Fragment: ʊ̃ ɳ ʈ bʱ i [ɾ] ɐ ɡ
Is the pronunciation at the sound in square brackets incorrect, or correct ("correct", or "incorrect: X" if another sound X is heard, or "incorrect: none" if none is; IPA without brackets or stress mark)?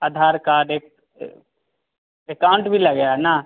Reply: incorrect: l